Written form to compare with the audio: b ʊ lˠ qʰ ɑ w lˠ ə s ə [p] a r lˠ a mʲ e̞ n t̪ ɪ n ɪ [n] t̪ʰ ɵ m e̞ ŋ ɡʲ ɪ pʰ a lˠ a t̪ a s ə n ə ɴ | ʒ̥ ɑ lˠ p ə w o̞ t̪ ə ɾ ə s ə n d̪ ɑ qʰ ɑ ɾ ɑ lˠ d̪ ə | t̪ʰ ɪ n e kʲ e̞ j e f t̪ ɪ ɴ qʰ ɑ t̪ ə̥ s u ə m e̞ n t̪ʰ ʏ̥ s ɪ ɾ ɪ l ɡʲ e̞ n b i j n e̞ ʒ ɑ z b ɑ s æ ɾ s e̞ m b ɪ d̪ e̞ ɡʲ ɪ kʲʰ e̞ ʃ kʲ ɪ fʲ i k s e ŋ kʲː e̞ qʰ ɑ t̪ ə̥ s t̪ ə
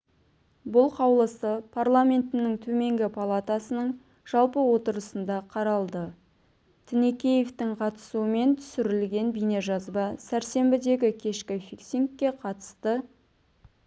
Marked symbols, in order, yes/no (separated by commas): no, no